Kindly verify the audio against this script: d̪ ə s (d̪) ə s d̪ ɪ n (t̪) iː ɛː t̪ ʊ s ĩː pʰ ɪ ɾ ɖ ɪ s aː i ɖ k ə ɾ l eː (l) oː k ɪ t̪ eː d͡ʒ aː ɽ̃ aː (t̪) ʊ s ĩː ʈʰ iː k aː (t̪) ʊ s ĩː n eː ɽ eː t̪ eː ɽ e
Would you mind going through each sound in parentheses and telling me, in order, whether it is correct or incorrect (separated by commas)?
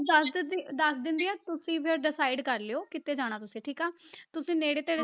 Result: correct, incorrect, incorrect, correct, correct